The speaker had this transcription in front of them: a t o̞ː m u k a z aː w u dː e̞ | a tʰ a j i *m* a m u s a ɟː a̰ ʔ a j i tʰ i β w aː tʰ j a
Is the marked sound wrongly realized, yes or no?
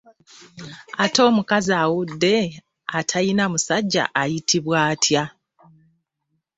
yes